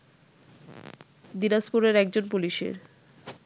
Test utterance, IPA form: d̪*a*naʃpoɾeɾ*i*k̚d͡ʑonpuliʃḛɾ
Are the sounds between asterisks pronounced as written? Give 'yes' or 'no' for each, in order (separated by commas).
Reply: no, no